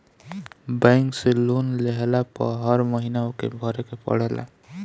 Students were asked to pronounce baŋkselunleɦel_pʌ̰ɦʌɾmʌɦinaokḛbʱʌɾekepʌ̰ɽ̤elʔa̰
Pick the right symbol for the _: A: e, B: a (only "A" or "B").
B